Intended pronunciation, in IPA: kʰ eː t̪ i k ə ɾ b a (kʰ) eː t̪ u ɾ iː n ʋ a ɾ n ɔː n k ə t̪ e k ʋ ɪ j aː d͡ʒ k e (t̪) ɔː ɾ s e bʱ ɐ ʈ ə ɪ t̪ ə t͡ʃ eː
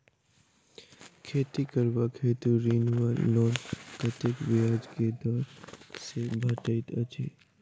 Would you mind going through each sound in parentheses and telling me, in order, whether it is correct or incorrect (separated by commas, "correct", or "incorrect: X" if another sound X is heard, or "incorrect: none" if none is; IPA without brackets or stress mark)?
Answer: correct, incorrect: d̪